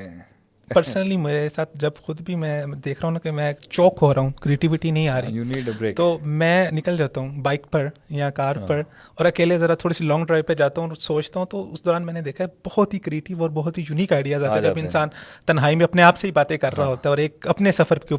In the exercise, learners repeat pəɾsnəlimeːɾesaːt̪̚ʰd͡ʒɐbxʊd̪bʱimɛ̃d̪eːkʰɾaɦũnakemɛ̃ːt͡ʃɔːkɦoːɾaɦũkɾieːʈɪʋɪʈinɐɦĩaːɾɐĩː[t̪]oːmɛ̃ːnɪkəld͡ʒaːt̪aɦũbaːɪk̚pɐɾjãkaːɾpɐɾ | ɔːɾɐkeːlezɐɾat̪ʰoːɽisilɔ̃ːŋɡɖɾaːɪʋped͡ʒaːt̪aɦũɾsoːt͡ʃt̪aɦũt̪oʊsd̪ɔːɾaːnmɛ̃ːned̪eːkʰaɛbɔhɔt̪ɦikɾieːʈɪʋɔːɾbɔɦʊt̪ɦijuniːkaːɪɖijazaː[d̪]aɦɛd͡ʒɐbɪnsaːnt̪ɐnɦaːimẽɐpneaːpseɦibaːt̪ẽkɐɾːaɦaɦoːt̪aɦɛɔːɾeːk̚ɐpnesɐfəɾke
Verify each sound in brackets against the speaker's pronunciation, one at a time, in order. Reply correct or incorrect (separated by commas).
correct, incorrect